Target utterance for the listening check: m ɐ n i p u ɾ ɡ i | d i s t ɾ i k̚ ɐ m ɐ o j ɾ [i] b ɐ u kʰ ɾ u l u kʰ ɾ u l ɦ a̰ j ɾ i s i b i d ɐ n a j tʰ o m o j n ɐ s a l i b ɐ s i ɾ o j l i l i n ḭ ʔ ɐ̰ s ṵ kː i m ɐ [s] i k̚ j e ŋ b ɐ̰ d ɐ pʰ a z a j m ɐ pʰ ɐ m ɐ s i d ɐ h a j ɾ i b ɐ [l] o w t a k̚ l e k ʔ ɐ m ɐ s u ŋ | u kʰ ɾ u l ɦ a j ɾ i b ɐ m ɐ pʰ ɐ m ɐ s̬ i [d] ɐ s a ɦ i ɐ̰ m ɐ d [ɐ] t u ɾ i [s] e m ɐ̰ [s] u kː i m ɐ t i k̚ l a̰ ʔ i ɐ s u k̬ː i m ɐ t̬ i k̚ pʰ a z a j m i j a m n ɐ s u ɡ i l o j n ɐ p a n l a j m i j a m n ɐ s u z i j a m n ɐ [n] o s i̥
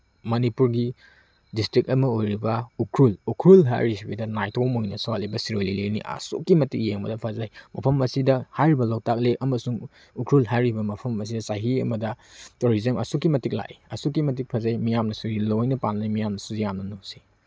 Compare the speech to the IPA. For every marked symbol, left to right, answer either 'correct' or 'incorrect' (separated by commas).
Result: correct, incorrect, correct, correct, correct, incorrect, correct, correct